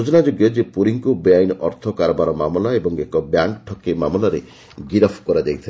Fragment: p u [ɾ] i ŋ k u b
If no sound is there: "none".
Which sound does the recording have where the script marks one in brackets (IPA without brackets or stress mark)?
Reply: ɾ